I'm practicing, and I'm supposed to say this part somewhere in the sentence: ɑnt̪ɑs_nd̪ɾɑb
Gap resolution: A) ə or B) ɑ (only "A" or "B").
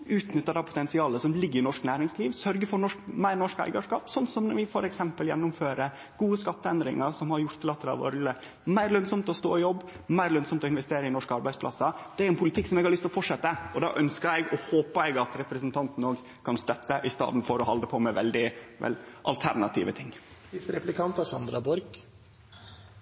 B